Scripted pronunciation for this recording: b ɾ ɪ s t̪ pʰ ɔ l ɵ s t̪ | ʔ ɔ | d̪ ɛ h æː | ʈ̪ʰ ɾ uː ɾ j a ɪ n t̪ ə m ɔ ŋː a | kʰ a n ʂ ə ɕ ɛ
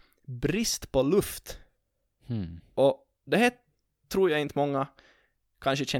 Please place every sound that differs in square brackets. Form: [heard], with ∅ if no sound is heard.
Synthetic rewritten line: b ɾ ɪ s t̪ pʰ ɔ l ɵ [f] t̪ | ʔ ɔ | d̪ ɛ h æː | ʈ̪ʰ ɾ uː ɾ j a ɪ n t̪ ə m ɔ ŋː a | kʰ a n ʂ ə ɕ ɛ